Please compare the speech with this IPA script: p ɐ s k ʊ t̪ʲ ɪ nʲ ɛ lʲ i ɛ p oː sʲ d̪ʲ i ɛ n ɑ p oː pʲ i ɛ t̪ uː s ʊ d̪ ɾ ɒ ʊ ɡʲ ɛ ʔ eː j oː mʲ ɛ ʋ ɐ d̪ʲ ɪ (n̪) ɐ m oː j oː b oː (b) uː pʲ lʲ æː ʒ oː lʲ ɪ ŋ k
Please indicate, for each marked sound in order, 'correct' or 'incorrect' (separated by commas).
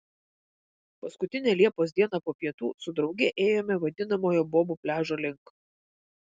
correct, correct